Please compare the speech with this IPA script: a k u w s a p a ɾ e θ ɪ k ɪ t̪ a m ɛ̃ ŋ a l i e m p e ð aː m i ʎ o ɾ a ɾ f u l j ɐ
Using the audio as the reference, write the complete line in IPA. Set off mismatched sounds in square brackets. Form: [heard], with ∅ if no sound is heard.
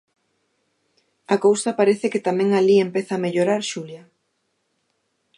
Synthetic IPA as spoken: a k [o] w s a p a ɾ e θ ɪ k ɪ t̪ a m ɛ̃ ŋ a l i e m p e [θ] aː m [e] ʎ o ɾ a ɾ [ʃ] u l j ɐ